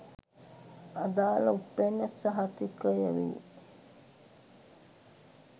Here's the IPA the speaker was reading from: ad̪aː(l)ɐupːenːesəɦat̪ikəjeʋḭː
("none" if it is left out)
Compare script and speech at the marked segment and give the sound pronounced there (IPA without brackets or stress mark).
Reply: l